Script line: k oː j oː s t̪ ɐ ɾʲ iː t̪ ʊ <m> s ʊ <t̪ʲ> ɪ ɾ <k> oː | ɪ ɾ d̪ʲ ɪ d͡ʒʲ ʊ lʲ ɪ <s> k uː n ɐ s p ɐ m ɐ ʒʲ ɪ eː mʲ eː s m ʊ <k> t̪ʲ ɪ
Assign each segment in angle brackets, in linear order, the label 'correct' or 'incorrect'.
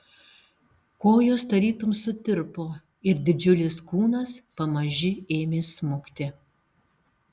correct, correct, incorrect: p, correct, correct

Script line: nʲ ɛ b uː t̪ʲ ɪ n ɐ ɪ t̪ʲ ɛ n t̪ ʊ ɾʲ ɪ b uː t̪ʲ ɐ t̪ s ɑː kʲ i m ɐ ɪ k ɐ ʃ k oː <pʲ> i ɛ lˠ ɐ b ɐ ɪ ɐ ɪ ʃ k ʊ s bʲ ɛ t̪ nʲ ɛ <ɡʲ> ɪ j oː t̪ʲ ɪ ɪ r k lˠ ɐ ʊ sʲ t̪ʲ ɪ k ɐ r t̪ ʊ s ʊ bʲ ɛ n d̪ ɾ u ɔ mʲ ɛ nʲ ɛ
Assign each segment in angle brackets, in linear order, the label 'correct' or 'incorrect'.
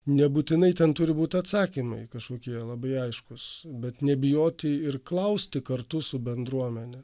incorrect: kʲ, incorrect: bʲ

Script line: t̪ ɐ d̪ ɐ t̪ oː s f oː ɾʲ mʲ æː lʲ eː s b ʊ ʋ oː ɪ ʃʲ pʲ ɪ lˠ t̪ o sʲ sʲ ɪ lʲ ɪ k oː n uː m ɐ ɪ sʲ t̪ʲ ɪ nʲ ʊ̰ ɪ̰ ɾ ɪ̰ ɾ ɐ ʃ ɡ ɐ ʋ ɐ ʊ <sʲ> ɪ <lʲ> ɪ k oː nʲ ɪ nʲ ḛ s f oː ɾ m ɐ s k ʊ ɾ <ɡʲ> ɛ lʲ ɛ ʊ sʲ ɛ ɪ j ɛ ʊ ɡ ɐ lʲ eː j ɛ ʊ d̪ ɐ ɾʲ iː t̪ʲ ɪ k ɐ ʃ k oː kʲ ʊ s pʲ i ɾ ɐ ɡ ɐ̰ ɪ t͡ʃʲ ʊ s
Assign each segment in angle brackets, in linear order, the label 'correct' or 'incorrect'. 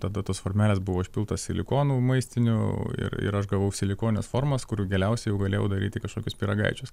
correct, correct, correct

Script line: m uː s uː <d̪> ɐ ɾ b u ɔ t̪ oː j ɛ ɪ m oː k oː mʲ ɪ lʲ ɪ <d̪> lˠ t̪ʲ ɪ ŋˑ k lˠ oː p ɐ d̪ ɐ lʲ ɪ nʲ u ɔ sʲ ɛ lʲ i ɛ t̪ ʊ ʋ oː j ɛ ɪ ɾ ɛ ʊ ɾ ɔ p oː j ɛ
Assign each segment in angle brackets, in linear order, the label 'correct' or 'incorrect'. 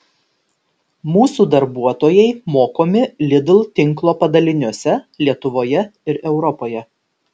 correct, correct

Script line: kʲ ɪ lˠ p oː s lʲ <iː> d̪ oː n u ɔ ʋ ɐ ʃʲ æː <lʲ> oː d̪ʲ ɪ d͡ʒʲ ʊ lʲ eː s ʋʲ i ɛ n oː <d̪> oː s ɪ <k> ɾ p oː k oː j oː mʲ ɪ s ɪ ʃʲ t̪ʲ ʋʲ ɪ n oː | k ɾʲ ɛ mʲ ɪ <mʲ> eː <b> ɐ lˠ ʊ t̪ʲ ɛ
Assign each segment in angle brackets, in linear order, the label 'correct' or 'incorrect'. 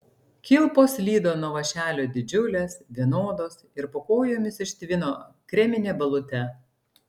correct, correct, correct, incorrect: none, incorrect: nʲ, correct

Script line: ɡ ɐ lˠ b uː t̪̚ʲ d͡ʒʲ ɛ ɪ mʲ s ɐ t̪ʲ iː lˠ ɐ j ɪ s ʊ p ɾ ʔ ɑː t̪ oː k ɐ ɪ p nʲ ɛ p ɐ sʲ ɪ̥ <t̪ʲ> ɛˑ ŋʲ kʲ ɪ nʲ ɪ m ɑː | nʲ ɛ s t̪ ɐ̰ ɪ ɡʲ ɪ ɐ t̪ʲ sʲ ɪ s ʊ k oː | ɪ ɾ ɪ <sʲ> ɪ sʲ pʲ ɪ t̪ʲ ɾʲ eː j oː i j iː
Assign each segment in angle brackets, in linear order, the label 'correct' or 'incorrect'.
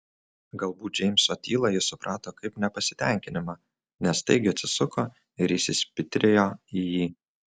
correct, correct

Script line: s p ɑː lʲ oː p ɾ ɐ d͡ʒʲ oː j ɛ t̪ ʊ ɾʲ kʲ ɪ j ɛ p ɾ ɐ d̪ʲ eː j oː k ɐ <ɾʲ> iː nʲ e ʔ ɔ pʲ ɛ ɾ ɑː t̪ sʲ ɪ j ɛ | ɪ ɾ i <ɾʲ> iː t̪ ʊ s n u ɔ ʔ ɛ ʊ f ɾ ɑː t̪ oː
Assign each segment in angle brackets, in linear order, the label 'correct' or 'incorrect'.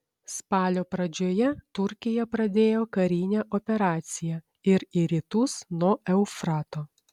correct, correct

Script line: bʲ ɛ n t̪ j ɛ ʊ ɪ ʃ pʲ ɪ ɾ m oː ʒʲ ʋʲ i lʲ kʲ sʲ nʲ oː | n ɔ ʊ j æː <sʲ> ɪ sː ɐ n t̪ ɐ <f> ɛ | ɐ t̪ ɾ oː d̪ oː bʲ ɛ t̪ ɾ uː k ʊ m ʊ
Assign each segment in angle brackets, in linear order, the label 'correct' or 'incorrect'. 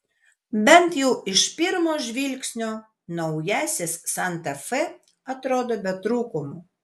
correct, correct

